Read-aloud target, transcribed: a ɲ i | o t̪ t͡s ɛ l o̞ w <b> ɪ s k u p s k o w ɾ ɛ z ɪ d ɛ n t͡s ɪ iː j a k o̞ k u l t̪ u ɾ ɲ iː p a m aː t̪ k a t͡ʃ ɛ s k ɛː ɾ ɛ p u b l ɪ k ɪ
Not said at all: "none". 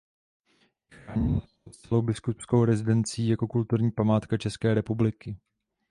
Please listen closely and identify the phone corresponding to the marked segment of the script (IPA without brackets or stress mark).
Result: b